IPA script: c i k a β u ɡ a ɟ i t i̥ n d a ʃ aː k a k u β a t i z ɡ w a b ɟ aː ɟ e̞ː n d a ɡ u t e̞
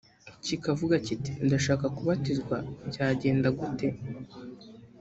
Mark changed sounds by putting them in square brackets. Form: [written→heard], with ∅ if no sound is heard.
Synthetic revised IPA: c i k a [β→v] u ɡ a [ɟ→c] i t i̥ n d a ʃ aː k a k u β a t i z ɡ w a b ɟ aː ɟ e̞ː n d a ɡ u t e̞